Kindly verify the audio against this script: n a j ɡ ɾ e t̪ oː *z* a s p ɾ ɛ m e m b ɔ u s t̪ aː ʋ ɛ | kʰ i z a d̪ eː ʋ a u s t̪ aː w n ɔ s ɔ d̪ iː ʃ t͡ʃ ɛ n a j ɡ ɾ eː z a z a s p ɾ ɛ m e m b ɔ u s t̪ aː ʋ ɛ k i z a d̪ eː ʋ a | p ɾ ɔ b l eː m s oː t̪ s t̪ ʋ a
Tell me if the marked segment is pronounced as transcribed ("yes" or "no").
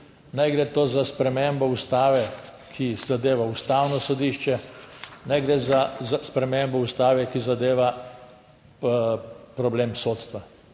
yes